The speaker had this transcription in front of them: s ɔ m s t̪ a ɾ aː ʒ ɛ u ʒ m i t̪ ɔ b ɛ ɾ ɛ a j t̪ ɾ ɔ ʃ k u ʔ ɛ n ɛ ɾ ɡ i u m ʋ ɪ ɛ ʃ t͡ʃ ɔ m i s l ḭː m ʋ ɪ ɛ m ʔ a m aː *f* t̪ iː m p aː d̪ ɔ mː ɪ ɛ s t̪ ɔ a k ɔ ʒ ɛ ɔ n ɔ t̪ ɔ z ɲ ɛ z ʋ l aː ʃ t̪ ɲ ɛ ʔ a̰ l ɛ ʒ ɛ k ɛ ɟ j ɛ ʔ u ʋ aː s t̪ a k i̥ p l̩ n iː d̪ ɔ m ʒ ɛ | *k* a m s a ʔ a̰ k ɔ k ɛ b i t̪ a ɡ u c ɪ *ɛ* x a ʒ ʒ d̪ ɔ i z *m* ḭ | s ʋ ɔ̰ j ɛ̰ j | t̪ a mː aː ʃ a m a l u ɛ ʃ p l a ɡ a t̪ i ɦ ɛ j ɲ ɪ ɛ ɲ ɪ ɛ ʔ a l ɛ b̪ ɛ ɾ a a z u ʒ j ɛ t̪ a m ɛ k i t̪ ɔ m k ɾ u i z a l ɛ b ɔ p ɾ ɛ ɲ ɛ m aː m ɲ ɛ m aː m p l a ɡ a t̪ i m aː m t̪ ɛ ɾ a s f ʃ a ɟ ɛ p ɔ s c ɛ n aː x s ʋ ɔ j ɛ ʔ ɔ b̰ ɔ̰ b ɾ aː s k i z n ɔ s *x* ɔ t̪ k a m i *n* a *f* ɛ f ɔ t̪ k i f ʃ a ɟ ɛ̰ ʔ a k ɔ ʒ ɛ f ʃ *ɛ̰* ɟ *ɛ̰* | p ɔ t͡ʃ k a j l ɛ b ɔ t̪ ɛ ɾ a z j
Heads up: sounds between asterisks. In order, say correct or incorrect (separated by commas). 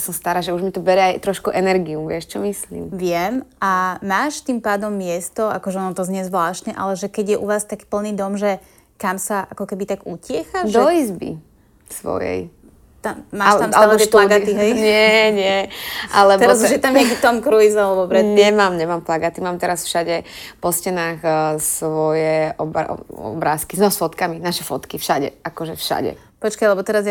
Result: incorrect, correct, correct, incorrect, incorrect, correct, incorrect, incorrect, correct